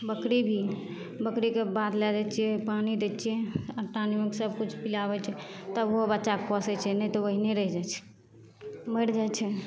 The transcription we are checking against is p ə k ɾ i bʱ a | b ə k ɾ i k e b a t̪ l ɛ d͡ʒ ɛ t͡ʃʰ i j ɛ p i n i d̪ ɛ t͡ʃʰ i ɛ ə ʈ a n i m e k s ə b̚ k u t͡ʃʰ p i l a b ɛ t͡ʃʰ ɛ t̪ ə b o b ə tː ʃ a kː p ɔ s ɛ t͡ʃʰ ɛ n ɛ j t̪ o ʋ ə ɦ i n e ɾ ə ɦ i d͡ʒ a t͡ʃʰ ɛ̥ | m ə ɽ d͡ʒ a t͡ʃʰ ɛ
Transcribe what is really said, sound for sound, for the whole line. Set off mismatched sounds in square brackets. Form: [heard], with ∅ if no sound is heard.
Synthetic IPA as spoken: [b] ə k ɾ i bʱ [i] | b ə k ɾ i k e b a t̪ l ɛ d͡ʒ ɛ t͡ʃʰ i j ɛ p [a] n i d̪ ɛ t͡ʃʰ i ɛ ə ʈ a n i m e k s ə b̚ k u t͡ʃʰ p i l a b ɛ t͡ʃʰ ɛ t̪ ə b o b ə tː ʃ a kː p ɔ s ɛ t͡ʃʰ ɛ n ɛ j t̪ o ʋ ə ɦ i n e ɾ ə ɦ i d͡ʒ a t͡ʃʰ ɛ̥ | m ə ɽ d͡ʒ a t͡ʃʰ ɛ